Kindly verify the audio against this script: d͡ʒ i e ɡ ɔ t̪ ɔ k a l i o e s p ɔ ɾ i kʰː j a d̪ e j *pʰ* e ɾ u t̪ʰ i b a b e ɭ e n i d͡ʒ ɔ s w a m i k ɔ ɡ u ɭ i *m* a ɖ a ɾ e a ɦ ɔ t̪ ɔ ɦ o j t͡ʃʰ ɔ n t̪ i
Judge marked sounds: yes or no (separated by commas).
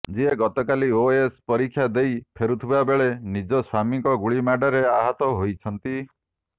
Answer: yes, yes